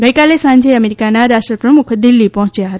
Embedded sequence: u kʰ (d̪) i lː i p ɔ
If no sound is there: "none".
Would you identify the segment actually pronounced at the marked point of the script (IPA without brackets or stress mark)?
d̪